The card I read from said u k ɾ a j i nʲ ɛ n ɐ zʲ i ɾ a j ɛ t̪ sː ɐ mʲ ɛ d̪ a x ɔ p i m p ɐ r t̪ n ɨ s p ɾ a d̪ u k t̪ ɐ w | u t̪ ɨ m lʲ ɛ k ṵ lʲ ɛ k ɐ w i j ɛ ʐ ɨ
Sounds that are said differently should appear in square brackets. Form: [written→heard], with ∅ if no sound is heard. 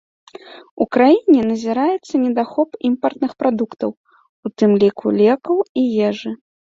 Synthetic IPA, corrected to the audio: u k ɾ a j i nʲ ɛ n ɐ zʲ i ɾ a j ɛ t̪ sː ɐ [mʲ→nʲ] ɛ d̪ a x ɔ p i m p ɐ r t̪ n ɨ [s→x] p ɾ a d̪ u k t̪ ɐ w | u t̪ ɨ m lʲ [ɛ→i] k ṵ lʲ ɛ k ɐ w i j ɛ ʐ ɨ